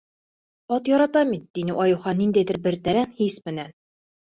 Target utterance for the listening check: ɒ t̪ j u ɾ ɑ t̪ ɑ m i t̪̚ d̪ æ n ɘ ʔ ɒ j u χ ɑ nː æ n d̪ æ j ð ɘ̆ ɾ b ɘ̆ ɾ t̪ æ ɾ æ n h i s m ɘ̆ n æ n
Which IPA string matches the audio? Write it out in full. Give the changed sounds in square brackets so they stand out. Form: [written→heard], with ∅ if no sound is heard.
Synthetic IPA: ɒ t̪ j [u→ɒ] ɾ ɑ t̪ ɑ m i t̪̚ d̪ [æ→i] n ɘ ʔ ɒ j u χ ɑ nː [æ→i] n d̪ æ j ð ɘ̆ ɾ b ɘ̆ ɾ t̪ æ ɾ æ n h i s m ɘ̆ n æ n